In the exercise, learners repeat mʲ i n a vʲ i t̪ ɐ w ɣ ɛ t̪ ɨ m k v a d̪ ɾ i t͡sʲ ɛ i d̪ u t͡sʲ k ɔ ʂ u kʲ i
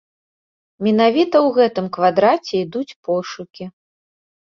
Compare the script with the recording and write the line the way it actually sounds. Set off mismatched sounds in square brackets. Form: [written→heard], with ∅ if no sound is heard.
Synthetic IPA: mʲ [i→ɛ] n a vʲ i t̪ ɐ w ɣ ɛ t̪ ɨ m k v a d̪ ɾ [i→a] t͡sʲ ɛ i d̪ u t͡sʲ [k→p] ɔ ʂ u kʲ i